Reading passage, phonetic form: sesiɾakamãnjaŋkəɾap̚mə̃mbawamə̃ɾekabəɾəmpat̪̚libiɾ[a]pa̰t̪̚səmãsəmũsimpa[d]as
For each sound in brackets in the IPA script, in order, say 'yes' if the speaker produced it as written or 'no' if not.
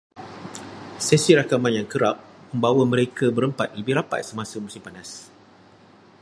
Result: yes, no

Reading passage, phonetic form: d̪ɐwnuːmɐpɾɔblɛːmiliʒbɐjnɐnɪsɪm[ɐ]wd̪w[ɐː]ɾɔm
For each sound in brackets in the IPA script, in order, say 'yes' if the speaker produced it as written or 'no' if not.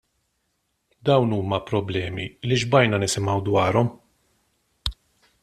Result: yes, yes

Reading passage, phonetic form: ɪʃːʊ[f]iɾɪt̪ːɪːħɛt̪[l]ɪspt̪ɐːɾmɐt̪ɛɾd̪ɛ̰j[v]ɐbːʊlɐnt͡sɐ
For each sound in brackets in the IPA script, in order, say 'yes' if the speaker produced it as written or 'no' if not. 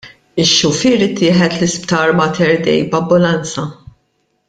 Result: yes, yes, no

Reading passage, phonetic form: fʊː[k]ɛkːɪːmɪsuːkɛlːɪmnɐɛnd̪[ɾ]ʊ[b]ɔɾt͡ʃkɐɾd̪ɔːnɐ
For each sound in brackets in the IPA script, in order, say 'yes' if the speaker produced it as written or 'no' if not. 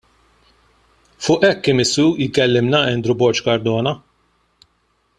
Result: no, yes, yes

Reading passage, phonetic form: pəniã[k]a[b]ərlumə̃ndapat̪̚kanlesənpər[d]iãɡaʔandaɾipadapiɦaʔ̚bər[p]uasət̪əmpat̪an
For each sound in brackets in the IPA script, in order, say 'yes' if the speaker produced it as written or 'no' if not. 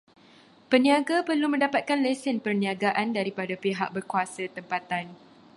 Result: no, no, no, no

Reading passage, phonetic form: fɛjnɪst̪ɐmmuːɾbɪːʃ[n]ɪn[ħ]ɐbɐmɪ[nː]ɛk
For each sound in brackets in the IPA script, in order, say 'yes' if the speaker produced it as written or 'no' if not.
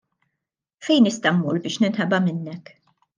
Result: yes, yes, yes

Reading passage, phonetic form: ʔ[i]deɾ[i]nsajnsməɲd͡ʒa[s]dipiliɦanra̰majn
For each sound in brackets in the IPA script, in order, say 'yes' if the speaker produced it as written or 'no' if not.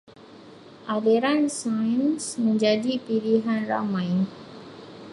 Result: no, no, no

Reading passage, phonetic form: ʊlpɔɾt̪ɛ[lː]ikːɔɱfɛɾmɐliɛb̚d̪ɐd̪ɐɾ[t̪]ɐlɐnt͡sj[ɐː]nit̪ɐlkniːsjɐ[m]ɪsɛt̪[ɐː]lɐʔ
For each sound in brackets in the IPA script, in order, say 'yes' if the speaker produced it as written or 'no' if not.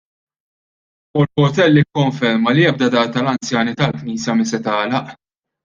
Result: yes, yes, yes, yes, yes

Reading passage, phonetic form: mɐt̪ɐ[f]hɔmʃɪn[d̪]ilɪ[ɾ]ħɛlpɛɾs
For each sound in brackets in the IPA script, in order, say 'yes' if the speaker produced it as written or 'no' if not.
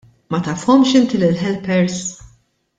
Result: yes, no, no

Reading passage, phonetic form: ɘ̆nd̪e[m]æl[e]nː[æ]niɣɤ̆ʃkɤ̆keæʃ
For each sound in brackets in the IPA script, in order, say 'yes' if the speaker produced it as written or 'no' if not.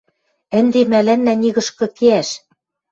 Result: yes, no, yes

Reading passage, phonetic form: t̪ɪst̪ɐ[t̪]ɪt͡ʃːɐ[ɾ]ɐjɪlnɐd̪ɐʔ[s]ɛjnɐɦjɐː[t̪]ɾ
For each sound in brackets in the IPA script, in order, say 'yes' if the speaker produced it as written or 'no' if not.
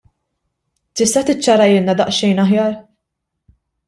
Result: yes, yes, no, no

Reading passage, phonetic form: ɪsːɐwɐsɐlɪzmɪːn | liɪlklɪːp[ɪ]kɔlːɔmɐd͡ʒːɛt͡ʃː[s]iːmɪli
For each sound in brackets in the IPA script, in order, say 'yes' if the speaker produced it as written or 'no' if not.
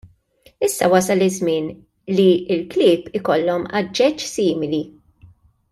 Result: yes, yes

